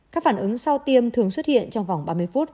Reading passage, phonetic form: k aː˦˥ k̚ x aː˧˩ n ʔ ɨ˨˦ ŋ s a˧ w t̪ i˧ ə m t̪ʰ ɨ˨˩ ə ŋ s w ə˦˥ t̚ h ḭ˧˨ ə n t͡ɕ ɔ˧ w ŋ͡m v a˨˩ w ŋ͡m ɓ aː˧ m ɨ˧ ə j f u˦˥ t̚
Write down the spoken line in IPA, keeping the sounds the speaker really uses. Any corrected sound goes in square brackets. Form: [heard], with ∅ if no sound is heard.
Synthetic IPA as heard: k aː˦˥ k̚ [f] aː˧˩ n ʔ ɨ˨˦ ŋ s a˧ w t̪ i˧ ə m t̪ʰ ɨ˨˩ ə ŋ s w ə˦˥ t̚ h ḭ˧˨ ə n t͡ɕ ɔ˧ w ŋ͡m v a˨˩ w ŋ͡m ɓ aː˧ m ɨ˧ ə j f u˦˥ t̚